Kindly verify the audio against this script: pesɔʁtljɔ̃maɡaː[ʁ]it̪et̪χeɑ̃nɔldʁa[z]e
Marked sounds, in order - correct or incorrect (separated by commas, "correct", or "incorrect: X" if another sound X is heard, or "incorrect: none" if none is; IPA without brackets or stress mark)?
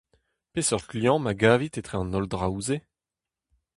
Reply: incorrect: v, correct